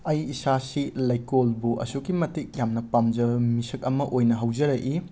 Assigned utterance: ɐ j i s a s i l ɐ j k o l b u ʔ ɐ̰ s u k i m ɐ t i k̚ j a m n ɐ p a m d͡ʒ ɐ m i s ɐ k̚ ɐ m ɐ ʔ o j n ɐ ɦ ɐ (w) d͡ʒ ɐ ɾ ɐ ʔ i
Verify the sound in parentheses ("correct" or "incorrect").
correct